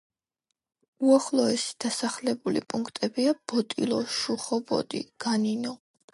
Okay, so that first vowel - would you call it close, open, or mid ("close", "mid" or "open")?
close